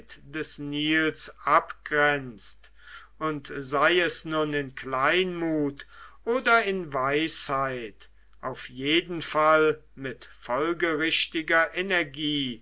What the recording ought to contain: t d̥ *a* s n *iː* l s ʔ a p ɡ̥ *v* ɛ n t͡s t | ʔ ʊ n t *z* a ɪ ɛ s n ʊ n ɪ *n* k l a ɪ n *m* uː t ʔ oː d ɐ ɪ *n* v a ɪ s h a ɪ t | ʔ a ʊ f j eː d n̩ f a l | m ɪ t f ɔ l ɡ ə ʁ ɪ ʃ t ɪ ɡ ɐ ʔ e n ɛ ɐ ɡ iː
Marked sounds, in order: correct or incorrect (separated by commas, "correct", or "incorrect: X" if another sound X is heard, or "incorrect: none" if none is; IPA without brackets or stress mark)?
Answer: incorrect: ɛ, correct, incorrect: ʁ, correct, correct, correct, correct